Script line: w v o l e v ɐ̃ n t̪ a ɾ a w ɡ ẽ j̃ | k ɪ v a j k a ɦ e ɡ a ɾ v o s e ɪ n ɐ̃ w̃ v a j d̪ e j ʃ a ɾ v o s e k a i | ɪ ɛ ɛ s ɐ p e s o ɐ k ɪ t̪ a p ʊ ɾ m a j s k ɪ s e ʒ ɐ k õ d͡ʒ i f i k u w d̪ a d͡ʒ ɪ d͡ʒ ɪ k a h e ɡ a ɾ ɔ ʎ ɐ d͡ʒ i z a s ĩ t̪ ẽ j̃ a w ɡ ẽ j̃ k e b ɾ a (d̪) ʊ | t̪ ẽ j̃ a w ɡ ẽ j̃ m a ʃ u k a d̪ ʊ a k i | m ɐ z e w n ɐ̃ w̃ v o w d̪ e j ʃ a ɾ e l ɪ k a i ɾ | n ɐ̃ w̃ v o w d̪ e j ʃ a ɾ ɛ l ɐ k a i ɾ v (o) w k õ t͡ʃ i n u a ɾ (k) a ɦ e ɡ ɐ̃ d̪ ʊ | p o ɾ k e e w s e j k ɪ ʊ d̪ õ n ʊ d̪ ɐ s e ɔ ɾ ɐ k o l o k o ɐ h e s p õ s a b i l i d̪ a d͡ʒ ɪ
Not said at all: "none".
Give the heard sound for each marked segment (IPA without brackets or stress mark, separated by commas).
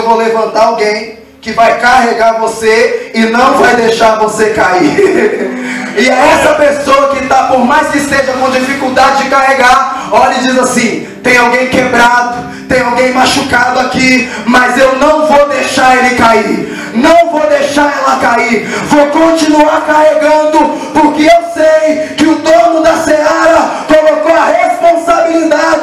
d̪, o, k